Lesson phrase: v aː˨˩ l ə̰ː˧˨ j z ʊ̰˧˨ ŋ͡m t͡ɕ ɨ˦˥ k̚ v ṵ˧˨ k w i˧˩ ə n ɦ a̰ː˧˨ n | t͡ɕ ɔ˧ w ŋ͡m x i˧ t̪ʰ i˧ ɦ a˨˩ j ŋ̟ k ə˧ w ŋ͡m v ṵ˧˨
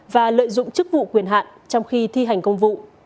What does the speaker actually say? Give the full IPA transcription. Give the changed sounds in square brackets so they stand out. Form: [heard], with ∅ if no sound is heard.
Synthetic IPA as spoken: v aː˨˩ l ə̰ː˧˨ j z ʊ̰˧˨ ŋ͡m t͡ɕ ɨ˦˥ k̚ v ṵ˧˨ k w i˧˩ ə n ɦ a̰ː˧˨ n | t͡ɕ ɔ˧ w ŋ͡m x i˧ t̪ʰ i˧ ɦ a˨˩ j ŋ̟ k ə˧ w ŋ͡m v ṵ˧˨

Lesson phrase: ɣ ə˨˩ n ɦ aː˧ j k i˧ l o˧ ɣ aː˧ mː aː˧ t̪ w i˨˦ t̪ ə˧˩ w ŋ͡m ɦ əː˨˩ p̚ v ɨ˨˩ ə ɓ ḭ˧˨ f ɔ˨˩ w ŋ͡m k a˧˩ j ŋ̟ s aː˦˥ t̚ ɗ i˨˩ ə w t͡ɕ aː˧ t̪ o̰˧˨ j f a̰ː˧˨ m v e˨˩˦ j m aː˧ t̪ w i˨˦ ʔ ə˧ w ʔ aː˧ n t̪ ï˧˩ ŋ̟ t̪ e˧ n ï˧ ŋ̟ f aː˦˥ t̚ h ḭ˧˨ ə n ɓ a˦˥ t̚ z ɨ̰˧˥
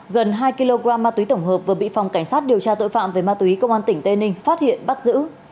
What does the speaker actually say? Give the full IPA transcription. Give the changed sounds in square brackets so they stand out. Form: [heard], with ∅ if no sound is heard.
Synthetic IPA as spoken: ɣ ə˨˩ n ɦ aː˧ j k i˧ l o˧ ɣ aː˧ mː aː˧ t̪ w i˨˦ t̪ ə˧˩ w ŋ͡m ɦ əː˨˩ p̚ v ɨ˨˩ ə ɓ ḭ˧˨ f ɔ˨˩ w ŋ͡m k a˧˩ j ŋ̟ s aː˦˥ t̚ ɗ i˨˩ ə w t͡ɕ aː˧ t̪ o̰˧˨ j f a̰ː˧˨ m v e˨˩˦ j m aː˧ t̪ w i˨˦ [k] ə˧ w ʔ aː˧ n t̪ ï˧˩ ŋ̟ t̪ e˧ n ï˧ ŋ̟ f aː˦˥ t̚ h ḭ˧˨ ə n ɓ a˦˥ t̚ z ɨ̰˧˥

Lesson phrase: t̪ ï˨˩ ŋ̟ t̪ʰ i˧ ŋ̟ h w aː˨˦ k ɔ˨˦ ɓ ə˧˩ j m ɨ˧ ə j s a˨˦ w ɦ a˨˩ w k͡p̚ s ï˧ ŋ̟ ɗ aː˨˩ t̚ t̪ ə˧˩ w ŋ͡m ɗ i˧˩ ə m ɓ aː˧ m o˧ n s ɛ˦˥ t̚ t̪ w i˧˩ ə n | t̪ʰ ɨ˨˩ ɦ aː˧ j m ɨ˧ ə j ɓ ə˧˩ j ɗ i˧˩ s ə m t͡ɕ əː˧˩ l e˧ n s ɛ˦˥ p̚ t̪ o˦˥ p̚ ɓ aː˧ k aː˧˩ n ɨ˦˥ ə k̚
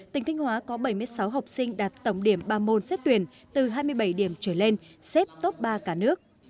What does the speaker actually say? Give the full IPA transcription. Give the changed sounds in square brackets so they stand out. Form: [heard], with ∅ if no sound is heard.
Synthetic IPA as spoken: t̪ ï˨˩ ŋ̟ t̪ʰ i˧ ŋ̟ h w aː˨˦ k ɔ˨˦ ɓ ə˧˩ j m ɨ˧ ə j s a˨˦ w ɦ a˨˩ w k͡p̚ s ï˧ ŋ̟ ɗ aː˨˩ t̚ t̪ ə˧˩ w ŋ͡m ɗ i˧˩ ə m ɓ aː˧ m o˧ n s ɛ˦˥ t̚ t̪ w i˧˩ ə n | [t̪] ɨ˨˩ ɦ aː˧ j m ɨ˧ ə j ɓ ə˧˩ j ɗ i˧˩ [∅] ə m t͡ɕ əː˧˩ l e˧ n s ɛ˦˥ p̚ t̪ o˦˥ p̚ ɓ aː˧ k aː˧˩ n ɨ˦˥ ə k̚

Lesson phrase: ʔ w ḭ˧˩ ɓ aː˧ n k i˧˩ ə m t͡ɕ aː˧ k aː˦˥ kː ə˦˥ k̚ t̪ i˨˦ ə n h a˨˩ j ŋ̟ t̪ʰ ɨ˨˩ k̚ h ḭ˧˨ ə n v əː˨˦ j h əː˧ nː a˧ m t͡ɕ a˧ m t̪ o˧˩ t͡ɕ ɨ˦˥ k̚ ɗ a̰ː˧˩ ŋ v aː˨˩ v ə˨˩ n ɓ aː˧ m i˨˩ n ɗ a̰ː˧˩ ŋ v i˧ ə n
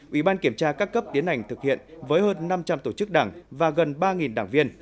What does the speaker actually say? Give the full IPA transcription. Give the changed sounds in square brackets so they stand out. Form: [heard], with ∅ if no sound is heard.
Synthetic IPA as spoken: ʔ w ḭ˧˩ ɓ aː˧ n k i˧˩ ə m t͡ɕ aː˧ k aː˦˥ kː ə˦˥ [p̚] t̪ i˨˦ ə n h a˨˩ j ŋ̟ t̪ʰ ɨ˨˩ k̚ h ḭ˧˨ ə n v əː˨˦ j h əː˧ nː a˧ m t͡ɕ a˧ m t̪ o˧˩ t͡ɕ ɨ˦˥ k̚ ɗ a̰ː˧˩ ŋ v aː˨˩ [ɣ] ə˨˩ n ɓ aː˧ [ŋ] i˨˩ n ɗ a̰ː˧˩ ŋ v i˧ ə n

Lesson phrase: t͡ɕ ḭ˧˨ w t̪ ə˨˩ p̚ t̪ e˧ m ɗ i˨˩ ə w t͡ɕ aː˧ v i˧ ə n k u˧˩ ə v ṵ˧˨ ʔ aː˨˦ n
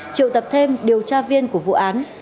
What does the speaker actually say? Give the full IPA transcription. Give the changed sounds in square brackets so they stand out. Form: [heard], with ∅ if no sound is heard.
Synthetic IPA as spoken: t͡ɕ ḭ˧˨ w t̪ ə˨˩ p̚ [t̪ʰ] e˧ m ɗ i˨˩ ə w t͡ɕ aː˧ v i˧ ə n k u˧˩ ə v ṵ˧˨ ʔ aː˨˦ n

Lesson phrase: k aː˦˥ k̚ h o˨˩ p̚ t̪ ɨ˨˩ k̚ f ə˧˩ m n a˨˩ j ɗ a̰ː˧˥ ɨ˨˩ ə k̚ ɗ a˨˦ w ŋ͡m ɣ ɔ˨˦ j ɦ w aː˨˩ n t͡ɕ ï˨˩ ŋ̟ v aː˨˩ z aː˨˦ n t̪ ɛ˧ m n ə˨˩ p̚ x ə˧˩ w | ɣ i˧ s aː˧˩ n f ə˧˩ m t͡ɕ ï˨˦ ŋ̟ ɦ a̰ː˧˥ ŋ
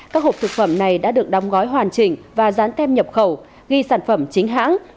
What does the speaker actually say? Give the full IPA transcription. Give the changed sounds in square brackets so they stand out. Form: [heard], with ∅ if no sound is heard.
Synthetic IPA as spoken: k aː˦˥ k̚ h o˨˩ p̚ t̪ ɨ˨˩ k̚ f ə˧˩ m n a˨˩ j ɗ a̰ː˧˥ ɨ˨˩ ə k̚ ɗ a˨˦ w ŋ͡m ɣ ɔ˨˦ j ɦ w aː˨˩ n t͡ɕ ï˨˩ ŋ̟ v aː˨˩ z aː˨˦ n t̪ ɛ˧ m [ɲ] ə˨˩ p̚ x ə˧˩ w | ɣ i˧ s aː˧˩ n f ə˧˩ m t͡ɕ ï˨˦ ŋ̟ ɦ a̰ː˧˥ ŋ

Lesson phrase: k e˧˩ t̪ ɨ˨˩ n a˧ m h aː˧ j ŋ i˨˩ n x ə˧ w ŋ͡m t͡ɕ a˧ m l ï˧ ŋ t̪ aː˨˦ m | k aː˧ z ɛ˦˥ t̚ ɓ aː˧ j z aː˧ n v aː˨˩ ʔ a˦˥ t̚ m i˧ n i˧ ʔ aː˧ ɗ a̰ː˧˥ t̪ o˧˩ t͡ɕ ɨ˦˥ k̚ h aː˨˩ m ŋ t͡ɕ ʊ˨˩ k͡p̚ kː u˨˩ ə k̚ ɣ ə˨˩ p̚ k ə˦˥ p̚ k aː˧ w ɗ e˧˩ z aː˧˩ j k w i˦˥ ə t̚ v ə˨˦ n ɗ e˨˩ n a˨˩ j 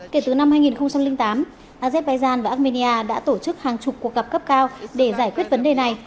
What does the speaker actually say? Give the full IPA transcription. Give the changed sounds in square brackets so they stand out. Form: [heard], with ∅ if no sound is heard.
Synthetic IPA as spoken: k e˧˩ t̪ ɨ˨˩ n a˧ m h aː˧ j ŋ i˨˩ n x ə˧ w ŋ͡m t͡ɕ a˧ m l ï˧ ŋ t̪ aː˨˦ m | [ʔ] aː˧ z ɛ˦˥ t̚ ɓ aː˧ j z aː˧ n v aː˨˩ ʔ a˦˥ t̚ m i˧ n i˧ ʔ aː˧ ɗ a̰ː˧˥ t̪ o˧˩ t͡ɕ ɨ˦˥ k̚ h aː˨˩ [∅] ŋ t͡ɕ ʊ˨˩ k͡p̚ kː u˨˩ ə k̚ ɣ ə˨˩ p̚ k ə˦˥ p̚ k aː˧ w ɗ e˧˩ z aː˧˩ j k w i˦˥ ə t̚ v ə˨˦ n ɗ e˨˩ n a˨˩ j

